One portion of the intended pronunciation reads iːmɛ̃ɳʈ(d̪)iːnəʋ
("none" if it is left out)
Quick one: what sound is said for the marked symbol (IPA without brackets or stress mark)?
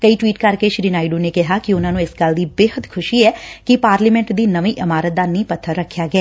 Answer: d̪